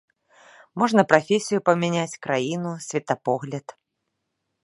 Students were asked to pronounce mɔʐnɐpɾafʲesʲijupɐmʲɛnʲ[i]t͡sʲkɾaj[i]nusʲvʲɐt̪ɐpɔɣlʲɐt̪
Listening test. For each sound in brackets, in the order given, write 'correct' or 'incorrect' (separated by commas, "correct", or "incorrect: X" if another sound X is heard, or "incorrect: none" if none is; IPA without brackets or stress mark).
incorrect: a, correct